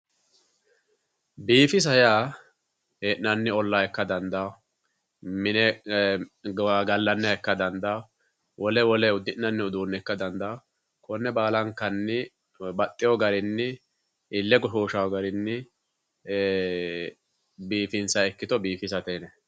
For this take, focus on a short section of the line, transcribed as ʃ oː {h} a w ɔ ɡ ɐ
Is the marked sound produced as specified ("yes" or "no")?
no